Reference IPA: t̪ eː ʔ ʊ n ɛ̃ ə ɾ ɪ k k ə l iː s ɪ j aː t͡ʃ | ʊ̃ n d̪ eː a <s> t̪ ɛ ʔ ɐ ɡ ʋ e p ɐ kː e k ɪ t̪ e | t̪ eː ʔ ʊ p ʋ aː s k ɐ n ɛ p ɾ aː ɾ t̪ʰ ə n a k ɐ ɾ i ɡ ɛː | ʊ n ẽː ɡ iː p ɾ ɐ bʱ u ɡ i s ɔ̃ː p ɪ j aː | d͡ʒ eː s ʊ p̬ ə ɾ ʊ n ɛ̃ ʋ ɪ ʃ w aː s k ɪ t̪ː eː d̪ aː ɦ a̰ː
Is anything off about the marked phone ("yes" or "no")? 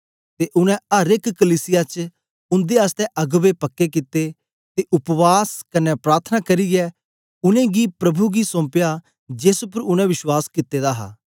no